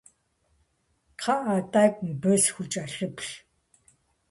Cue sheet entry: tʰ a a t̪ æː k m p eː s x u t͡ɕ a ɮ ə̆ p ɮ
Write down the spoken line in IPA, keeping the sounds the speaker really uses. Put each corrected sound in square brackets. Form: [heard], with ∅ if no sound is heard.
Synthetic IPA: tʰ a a t̪ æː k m p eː s x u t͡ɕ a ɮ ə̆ p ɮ